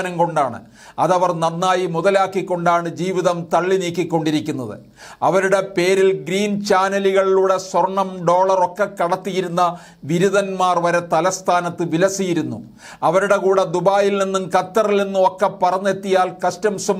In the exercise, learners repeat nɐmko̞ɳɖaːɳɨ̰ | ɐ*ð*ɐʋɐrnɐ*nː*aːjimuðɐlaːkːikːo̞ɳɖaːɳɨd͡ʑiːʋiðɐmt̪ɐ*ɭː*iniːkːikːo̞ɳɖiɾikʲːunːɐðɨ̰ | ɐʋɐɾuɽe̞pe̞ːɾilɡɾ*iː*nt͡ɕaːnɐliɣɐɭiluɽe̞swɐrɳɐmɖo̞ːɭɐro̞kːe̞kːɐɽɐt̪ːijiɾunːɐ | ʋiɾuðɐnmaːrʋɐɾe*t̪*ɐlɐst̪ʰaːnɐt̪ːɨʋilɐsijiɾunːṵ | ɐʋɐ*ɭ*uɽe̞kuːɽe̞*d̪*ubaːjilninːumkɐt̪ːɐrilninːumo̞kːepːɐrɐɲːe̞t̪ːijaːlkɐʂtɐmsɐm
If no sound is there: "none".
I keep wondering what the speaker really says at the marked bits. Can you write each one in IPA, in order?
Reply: ð, nː, ɭː, iː, t̪, ɾ, d̪

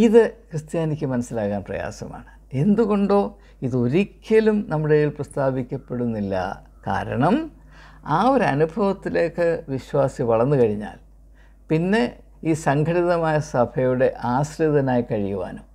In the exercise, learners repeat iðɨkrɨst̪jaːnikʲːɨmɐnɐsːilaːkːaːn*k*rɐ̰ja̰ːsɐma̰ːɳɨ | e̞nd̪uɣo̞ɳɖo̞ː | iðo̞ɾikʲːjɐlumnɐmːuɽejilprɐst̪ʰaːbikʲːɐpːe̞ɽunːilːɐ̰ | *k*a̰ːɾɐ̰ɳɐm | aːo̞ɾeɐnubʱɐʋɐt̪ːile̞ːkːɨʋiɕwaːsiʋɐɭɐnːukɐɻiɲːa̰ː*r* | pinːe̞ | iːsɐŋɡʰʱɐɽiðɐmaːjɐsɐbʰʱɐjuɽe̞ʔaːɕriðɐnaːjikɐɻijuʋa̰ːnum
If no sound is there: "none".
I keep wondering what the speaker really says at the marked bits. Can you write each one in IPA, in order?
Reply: p, k, l

